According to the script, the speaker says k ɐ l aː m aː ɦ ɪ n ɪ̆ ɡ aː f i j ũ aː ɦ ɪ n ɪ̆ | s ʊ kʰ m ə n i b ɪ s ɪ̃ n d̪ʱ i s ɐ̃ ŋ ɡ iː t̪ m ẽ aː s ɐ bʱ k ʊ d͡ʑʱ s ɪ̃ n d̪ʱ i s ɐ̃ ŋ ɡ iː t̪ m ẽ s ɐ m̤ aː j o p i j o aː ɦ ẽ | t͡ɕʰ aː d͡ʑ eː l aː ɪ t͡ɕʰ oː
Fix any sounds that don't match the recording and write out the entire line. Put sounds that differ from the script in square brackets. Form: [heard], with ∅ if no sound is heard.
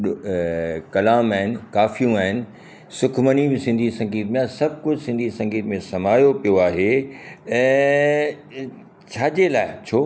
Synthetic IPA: k ɐ l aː m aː ɦ ɪ n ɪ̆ [k] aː f i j ũ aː ɦ ɪ n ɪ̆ | s ʊ kʰ m ə n i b ɪ s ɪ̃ n d̪ʱ i s ɐ̃ ŋ ɡ iː t̪ m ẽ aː s ɐ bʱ k ʊ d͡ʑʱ s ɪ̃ n d̪ʱ i s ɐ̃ ŋ ɡ iː t̪ m ẽ s ɐ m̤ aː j o p i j o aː ɦ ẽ | t͡ɕʰ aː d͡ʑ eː l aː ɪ t͡ɕʰ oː

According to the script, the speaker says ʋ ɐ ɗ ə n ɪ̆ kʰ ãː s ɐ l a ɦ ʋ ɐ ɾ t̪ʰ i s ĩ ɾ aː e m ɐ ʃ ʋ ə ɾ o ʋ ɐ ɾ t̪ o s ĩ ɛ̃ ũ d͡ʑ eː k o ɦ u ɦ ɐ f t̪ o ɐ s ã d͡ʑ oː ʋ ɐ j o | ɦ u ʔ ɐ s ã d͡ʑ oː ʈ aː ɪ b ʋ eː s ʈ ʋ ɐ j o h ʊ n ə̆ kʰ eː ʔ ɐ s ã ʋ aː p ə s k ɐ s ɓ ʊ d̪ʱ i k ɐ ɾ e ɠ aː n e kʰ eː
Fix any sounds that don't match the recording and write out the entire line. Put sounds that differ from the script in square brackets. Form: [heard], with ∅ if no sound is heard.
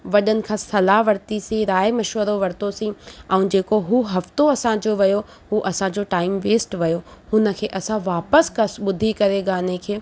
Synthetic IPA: ʋ ɐ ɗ ə n ɪ̆ kʰ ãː s ɐ l a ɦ ʋ ɐ ɾ [t̪] i s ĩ ɾ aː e m ɐ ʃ ʋ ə ɾ o ʋ ɐ ɾ t̪ o s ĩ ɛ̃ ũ d͡ʑ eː k o ɦ u ɦ ɐ f t̪ o ɐ s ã d͡ʑ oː ʋ ɐ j o | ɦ u ʔ ɐ s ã d͡ʑ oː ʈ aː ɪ [m] ʋ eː s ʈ ʋ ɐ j o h ʊ n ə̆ kʰ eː ʔ ɐ s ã ʋ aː p ə s k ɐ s ɓ ʊ d̪ʱ i k ɐ ɾ e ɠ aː n e kʰ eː

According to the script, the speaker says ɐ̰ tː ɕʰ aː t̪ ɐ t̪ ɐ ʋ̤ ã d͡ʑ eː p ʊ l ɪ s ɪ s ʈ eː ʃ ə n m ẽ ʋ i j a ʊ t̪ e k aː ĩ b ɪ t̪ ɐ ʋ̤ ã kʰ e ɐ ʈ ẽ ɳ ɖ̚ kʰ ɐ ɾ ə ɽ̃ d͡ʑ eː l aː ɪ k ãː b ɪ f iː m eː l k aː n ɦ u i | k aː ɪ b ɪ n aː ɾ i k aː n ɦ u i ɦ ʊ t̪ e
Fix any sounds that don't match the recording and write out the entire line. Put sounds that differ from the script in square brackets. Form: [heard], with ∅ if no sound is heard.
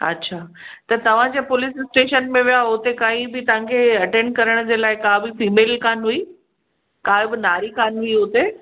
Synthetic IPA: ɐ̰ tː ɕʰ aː t̪ ɐ t̪ ɐ ʋ̤ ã d͡ʑ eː p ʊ l ɪ s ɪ s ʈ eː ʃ ə n m ẽ ʋ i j a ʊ t̪ e k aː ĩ b ɪ t̪ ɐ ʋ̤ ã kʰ e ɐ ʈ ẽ ɳ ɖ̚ [k] ɐ ɾ ə ɽ̃ d͡ʑ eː l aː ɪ k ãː b ɪ f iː m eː l k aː n ɦ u i | k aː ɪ b ɪ n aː ɾ i k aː n ɦ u i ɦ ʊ t̪ e

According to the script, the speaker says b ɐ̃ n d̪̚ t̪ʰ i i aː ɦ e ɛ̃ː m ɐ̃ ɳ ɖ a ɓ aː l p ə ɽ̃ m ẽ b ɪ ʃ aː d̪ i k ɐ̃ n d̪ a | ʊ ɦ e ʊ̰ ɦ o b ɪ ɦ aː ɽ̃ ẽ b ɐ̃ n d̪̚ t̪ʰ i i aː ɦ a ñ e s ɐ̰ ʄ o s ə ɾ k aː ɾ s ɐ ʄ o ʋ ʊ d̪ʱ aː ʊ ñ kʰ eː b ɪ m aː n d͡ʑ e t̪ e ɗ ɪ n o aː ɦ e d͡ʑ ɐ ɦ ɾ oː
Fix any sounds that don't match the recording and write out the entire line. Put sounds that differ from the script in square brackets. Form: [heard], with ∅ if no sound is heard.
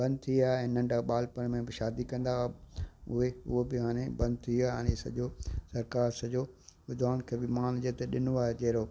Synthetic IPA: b ɐ̃ n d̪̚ t̪ʰ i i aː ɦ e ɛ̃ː [n] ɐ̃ ɳ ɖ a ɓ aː l p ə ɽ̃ m ẽ b ɪ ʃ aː d̪ i k ɐ̃ n d̪ a | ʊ ɦ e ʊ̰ ɦ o b ɪ ɦ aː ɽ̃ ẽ b ɐ̃ n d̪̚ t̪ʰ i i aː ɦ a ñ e s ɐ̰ ʄ o s [ɐ] ɾ k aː ɾ s ɐ ʄ o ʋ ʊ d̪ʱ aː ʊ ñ kʰ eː b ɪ m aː n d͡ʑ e t̪ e ɗ ɪ n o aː ɦ e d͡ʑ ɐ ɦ ɾ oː

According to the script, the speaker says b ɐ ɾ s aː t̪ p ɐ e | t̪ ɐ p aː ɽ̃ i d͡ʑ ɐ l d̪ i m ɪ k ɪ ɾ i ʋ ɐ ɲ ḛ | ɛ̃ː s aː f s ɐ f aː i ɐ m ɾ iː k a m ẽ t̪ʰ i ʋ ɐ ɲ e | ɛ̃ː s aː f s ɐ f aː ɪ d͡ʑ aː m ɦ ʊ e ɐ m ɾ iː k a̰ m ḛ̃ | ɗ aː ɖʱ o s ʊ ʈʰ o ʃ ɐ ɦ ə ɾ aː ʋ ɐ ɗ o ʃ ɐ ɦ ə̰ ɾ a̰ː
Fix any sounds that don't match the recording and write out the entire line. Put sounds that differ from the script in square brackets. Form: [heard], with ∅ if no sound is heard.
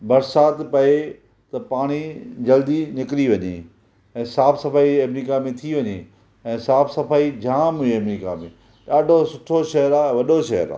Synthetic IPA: b ɐ ɾ s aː t̪ p ɐ e | t̪ ɐ p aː ɽ̃ i d͡ʑ ɐ l d̪ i [n] ɪ k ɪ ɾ i ʋ ɐ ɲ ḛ | ɛ̃ː s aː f s ɐ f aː i ɐ m ɾ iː k a m ẽ t̪ʰ i ʋ ɐ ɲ e | ɛ̃ː s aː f s ɐ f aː [i] d͡ʑ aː m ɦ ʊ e ɐ m ɾ iː k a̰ m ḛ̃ | ɗ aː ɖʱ o s ʊ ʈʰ o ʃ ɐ ɦ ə ɾ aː ʋ ɐ ɗ o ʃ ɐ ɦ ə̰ ɾ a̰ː

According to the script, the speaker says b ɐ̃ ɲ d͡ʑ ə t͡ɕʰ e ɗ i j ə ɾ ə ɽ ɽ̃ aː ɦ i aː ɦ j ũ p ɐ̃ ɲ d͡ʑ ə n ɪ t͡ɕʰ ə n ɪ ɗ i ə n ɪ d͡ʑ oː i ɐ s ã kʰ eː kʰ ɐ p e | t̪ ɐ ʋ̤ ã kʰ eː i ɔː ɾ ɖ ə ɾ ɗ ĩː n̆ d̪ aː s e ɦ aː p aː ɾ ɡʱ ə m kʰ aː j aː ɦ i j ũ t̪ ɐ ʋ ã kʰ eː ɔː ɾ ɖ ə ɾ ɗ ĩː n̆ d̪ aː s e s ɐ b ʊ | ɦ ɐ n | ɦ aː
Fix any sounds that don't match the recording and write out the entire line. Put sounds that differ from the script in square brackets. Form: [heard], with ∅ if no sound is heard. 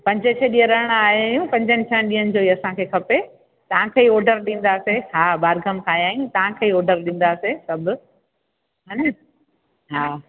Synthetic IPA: [p] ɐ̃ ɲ d͡ʑ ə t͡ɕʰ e ɗ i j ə ɾ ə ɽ ɽ̃ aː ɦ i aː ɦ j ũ p ɐ̃ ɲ d͡ʑ ə n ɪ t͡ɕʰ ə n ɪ ɗ i ə n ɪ d͡ʑ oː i ɐ s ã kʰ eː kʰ ɐ p e | t̪ ɐ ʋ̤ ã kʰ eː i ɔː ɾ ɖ ə ɾ ɗ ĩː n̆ d̪ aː s e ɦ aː [b] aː ɾ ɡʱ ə m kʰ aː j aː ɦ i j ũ t̪ ɐ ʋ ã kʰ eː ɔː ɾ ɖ ə ɾ ɗ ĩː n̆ d̪ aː s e s ɐ b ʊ | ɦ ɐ n | ɦ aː

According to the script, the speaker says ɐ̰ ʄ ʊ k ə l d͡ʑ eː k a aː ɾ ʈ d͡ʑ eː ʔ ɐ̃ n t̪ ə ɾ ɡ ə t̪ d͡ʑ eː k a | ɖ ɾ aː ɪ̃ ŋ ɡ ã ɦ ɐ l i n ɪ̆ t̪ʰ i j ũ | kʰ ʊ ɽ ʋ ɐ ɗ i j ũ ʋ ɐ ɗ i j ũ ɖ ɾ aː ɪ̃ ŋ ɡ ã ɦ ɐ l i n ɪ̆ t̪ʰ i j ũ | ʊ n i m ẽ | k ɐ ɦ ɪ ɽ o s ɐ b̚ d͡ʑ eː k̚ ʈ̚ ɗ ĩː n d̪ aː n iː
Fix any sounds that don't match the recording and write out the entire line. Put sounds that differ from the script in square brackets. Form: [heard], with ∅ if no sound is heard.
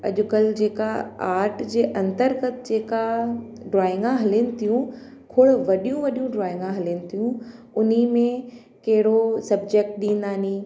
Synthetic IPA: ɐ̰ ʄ ʊ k ə l d͡ʑ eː k a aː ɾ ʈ d͡ʑ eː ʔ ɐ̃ n t̪ ə ɾ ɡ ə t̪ d͡ʑ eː k a | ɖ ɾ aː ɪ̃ ŋ ɡ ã ɦ ɐ l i n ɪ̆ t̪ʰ i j ũ | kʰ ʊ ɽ ʋ ɐ ɗ i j ũ ʋ ɐ ɗ i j ũ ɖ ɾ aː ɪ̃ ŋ ɡ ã ɦ ɐ l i n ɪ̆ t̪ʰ i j ũ | ʊ n i m ẽ | k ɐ ɦ ɪ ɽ o s ɐ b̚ d͡ʑ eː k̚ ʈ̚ ɗ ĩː n d̪ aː n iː

